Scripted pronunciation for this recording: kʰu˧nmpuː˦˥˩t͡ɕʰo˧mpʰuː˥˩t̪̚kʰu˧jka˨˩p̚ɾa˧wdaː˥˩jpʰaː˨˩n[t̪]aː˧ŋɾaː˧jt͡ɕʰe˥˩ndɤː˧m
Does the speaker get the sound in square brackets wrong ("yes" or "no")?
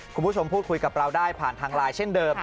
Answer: yes